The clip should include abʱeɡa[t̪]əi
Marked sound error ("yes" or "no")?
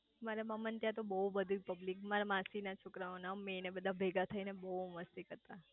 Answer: yes